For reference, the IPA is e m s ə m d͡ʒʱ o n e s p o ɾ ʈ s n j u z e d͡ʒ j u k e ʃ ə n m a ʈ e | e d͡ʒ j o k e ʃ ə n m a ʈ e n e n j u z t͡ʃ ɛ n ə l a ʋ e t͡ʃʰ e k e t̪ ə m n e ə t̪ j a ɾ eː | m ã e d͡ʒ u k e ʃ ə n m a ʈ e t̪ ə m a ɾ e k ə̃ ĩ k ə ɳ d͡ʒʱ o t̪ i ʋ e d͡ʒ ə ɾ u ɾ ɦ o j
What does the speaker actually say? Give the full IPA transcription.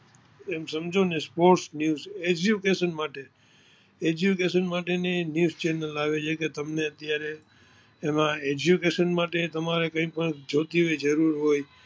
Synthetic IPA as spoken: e m s ə m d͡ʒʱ o n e s p o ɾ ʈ s n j u z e d͡ʒ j u k e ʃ ə n m a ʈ e | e d͡ʒ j u k e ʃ ə n m a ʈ e n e n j u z t͡ʃ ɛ n ə l a ʋ e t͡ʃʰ e k e t̪ ə m n e ə t̪ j a ɾ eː | m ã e d͡ʒ u k e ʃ ə n m a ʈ e t̪ ə m a ɾ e k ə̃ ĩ p ə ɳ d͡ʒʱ o t̪ i ʋ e d͡ʒ ə ɾ u ɾ ɦ o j